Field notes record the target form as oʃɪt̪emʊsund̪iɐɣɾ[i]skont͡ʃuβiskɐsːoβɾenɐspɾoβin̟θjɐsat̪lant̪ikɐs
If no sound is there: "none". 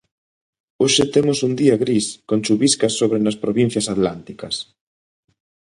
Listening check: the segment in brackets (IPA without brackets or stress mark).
i